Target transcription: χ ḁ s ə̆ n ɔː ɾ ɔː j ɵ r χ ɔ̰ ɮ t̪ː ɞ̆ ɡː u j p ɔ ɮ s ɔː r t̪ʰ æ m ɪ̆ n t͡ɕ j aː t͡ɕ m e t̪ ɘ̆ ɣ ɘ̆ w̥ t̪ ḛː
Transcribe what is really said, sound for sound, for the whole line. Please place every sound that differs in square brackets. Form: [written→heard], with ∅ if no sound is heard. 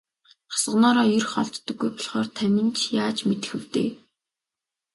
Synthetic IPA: χ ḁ s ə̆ n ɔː ɾ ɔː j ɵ r χ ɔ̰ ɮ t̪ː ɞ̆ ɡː u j p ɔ ɮ [s→χ] ɔː r t̪ʰ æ m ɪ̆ n t͡ɕ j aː t͡ɕ m e t̪ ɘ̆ [ɣ→x] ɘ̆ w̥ t̪ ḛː